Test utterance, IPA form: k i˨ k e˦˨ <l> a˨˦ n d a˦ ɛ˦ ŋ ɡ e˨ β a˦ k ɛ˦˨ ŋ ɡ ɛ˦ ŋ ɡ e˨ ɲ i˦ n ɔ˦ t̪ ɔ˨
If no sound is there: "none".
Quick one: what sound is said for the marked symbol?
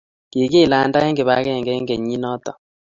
l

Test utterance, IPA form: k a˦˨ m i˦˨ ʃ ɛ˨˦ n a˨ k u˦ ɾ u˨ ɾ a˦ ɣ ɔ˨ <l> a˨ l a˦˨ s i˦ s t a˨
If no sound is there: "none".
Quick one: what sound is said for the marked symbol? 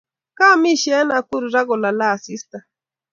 l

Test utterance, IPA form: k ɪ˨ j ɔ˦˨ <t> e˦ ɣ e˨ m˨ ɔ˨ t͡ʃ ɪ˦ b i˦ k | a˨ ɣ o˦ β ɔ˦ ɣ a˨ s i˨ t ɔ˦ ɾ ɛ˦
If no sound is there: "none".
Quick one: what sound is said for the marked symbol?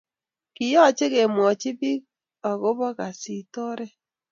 t͡ʃ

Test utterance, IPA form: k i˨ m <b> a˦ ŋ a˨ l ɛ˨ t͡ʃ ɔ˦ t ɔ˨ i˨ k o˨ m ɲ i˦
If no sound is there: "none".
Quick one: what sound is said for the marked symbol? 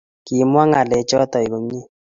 w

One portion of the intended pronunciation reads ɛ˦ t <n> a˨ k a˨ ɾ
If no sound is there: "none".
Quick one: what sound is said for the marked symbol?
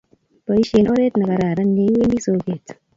n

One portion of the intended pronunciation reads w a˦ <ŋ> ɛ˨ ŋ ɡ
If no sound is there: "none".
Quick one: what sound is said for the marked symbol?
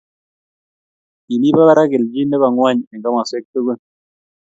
ɲ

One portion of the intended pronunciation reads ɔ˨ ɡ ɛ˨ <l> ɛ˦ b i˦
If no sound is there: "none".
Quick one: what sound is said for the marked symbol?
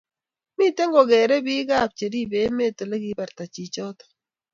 ɾ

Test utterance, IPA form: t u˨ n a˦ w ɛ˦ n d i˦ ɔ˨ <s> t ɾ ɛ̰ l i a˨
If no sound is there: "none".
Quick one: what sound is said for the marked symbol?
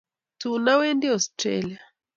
s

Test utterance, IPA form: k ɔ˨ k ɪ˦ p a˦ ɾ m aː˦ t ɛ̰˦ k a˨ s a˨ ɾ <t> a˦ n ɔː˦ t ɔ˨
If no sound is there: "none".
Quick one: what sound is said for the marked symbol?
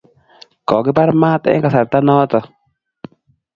t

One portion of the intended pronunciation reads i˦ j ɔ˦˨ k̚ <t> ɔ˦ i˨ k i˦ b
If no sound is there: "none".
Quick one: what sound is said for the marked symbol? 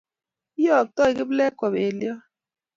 t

